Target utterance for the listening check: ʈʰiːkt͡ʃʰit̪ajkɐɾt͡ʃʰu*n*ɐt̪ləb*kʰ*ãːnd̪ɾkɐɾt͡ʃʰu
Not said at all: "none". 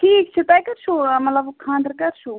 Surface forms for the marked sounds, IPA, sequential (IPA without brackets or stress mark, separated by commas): m, kʰ